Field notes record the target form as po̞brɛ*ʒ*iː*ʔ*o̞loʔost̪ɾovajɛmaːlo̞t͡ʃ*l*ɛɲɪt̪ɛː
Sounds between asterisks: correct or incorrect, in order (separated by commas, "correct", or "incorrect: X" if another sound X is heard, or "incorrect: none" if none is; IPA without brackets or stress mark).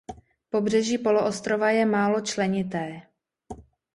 correct, incorrect: p, correct